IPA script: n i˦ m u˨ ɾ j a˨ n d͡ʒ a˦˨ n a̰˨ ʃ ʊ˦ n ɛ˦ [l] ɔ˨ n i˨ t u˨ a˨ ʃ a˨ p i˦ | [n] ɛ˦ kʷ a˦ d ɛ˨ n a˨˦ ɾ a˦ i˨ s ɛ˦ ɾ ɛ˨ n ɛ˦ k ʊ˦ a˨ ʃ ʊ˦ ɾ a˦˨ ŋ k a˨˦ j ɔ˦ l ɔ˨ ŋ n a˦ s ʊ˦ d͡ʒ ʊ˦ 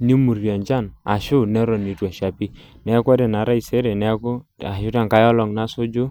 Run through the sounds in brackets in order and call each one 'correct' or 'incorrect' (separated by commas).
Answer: incorrect, correct